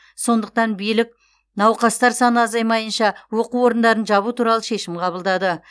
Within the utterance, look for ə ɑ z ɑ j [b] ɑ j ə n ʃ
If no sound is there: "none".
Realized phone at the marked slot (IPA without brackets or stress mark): m